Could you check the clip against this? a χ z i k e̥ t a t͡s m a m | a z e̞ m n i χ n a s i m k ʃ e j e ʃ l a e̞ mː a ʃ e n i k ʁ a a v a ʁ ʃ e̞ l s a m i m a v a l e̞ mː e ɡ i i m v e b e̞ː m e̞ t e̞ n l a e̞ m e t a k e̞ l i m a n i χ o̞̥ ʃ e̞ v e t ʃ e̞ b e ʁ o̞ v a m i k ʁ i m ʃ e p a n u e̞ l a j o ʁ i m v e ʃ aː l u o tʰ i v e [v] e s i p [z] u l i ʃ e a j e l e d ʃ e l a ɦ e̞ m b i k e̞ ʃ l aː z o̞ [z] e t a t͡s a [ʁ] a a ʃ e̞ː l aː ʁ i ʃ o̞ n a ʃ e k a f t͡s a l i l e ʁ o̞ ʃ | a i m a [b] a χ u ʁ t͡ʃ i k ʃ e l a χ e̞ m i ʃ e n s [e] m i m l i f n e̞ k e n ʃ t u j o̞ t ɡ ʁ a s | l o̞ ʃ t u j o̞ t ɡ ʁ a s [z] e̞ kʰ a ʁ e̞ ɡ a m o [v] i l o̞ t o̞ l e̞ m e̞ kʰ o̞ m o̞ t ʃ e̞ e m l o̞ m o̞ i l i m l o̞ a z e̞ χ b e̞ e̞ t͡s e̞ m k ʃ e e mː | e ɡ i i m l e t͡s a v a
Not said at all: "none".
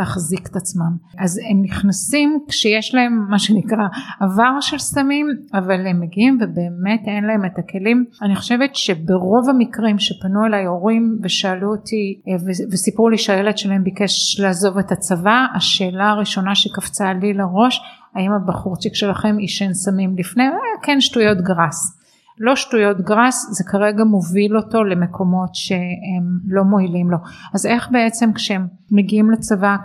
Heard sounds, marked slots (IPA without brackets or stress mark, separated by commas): v, ʁ, v, v, b, a, z, v